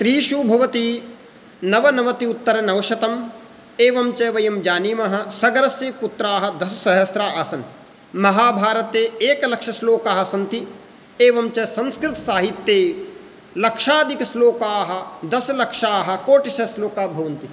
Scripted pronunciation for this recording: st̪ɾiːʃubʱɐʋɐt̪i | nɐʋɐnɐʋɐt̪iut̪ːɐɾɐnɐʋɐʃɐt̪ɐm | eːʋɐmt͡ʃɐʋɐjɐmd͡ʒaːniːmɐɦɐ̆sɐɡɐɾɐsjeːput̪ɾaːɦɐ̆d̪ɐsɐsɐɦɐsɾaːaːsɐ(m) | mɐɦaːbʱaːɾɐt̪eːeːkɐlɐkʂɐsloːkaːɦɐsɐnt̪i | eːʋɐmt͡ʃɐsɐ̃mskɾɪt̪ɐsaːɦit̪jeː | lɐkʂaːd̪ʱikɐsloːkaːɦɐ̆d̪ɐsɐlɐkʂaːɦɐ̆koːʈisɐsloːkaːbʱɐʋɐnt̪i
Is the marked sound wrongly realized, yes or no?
yes